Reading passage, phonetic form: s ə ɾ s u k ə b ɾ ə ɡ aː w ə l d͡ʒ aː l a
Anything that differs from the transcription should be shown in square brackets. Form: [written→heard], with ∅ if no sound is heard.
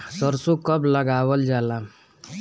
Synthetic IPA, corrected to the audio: s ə ɾ s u k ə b [ɾ→l] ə ɡ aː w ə l d͡ʒ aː l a